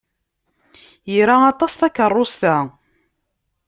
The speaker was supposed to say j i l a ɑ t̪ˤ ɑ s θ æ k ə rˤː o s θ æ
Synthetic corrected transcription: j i ɾ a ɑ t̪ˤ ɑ s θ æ k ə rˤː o s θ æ

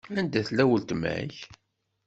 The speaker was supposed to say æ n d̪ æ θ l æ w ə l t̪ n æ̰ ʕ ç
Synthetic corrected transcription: æ n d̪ æ θ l æ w ə l t̪ m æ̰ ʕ ç

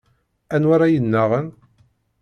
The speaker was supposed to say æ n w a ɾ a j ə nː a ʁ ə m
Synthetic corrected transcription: æ n w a ɾ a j ə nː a ʁ ə n

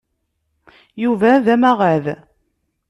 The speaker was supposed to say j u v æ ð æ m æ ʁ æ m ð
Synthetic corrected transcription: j u v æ ð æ m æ ʁ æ ð

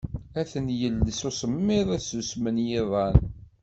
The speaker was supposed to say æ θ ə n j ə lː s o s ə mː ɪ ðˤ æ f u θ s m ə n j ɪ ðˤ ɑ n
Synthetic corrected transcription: æ θ ə n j ə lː s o s ə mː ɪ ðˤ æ s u s m ə n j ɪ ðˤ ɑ n

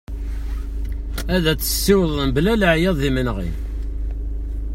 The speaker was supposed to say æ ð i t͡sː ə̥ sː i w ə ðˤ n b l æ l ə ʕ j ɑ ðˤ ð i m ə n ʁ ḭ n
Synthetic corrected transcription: æ ð æ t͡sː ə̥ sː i w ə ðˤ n b l æ l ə ʕ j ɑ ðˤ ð i m ə n ʁ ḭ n

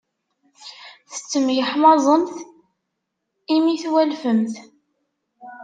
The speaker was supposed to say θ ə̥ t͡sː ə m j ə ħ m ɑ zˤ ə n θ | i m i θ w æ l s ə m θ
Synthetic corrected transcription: θ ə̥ t͡sː ə m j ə ħ m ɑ zˤ ə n θ | i m i θ w æ l f ə m θ

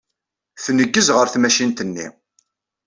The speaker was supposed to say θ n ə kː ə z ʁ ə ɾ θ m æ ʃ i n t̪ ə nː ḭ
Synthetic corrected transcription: θ n ə ɡː ə z ʁ ə ɾ θ m æ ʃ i n t̪ ə nː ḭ

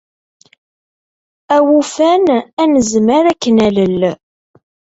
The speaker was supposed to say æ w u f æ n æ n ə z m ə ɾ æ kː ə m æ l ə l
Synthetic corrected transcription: æ w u f æ n æ n ə z m ə ɾ æ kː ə n æ l ə l

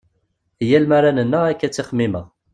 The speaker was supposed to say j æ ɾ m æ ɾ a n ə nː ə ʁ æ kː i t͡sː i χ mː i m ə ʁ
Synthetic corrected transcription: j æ l m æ ɾ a n ə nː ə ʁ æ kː æ t͡sː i χ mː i m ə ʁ

